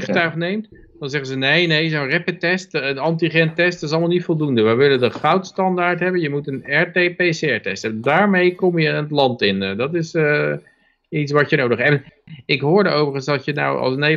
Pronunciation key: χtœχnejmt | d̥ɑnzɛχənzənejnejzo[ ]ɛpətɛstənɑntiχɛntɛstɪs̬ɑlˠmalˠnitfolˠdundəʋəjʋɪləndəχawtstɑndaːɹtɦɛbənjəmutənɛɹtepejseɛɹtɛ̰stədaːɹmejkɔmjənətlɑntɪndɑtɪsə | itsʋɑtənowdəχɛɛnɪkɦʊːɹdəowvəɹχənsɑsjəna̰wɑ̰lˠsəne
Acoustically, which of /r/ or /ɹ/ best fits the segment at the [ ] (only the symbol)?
r